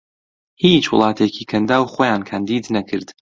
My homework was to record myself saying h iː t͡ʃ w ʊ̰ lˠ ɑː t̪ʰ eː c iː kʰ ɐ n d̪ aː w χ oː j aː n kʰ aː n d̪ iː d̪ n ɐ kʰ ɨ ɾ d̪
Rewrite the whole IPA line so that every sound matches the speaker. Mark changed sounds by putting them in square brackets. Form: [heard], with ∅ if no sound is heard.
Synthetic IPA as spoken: h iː t͡ʃ w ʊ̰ lˠ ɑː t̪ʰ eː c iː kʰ ɐ n d̪ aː w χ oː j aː n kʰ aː n d̪ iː d̪ n ɐ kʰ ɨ ɾ d̪